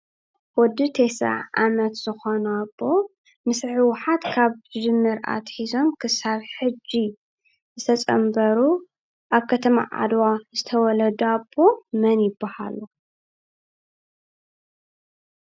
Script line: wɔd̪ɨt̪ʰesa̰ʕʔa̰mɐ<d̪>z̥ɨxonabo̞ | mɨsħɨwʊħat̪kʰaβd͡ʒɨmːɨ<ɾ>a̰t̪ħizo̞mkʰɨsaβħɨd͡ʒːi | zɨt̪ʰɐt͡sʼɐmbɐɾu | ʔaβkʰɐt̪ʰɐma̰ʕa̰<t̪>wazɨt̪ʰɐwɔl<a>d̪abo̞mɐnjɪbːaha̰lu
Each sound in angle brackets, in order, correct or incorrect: incorrect: t̪, correct, incorrect: d̪, incorrect: ɐ

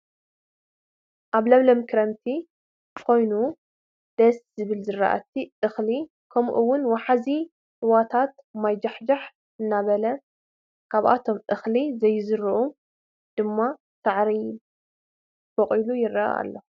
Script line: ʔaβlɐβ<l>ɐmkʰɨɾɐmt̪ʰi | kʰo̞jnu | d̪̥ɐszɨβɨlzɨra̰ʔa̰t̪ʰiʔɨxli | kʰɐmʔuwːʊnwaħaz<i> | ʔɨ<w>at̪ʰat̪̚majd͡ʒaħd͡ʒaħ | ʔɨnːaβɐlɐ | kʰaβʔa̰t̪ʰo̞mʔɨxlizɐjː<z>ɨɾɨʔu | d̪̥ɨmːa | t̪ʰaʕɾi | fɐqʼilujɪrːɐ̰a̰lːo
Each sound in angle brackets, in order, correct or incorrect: correct, correct, correct, correct

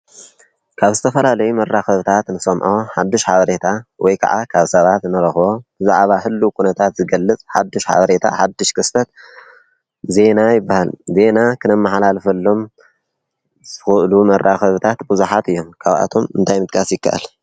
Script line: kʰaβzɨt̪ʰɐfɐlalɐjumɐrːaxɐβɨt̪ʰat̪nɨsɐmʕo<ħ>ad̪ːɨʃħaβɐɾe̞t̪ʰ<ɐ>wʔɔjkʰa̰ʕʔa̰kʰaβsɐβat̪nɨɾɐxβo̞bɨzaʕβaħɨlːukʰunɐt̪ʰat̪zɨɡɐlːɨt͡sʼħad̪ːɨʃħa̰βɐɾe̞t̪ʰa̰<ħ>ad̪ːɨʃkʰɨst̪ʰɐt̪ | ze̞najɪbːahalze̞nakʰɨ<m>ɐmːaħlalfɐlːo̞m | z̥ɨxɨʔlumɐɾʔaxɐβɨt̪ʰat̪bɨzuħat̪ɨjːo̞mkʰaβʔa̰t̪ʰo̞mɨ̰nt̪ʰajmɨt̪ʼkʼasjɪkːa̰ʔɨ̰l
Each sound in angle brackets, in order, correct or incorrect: correct, incorrect: a, correct, incorrect: n

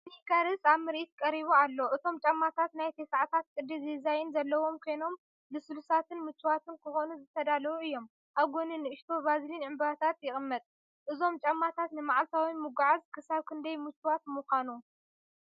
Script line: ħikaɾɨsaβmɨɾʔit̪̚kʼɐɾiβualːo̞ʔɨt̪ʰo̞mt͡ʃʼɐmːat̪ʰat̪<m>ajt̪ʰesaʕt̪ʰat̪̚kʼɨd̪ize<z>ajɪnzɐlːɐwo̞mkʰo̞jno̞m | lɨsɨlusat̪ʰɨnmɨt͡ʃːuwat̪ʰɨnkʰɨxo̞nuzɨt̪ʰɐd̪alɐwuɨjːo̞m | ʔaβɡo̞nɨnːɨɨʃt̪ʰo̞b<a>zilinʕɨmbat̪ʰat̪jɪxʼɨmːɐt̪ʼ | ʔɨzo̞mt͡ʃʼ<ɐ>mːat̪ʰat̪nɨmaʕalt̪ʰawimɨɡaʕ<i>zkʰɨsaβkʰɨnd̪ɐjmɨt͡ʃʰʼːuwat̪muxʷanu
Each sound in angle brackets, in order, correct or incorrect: incorrect: n, correct, correct, correct, incorrect: a

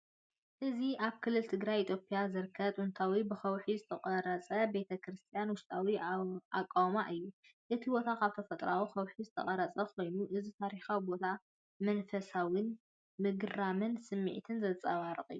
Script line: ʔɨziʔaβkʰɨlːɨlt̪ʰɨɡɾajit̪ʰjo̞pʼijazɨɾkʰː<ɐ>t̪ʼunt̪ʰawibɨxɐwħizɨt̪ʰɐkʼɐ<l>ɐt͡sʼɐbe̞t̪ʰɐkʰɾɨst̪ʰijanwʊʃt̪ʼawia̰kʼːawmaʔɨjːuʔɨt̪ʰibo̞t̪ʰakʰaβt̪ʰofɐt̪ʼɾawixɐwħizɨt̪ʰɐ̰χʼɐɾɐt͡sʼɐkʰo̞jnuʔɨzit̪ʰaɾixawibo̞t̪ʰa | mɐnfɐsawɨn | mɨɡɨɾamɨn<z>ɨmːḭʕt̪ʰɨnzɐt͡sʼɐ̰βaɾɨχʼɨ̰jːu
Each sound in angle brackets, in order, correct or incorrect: correct, incorrect: ɾ, incorrect: s

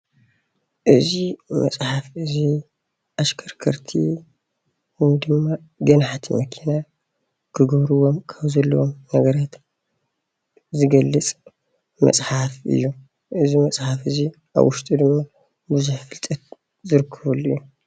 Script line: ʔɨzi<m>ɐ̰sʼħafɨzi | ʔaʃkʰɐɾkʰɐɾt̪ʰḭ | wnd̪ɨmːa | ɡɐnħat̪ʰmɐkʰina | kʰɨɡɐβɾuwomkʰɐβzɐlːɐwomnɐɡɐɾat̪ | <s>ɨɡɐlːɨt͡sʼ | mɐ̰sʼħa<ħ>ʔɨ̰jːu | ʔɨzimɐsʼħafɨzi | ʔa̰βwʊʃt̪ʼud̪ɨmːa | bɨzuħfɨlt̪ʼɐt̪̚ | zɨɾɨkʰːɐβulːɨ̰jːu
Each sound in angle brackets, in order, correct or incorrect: correct, incorrect: z, incorrect: f

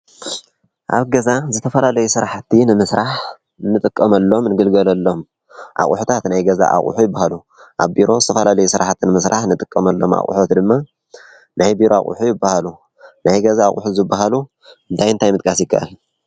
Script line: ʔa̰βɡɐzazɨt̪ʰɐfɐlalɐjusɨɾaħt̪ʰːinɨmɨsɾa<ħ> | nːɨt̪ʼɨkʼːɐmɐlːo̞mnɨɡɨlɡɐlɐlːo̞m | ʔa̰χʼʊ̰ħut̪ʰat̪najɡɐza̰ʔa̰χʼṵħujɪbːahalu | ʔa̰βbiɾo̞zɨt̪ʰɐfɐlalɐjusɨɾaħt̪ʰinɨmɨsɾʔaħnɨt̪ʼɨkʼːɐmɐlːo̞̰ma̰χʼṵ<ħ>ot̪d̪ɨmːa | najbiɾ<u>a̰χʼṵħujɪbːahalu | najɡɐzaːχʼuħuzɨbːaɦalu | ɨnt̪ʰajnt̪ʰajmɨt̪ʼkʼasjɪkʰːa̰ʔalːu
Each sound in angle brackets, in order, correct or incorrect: correct, correct, incorrect: o

